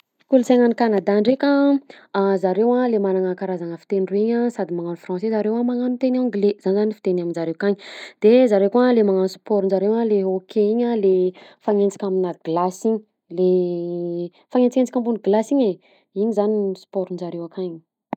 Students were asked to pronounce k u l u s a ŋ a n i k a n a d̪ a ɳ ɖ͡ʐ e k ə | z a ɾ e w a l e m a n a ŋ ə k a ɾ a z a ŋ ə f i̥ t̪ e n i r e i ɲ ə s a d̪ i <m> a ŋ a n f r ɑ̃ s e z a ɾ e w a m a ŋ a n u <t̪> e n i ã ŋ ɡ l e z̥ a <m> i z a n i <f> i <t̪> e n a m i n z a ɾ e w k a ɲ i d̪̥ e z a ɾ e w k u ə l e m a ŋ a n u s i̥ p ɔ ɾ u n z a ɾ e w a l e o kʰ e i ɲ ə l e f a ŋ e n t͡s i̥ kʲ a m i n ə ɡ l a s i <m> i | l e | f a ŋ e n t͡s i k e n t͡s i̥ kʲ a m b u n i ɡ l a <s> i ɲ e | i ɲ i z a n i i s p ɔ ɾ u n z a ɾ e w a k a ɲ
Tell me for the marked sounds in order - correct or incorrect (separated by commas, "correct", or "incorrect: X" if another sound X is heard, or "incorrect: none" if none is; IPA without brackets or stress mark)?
correct, correct, incorrect: n, correct, correct, incorrect: ɲ, correct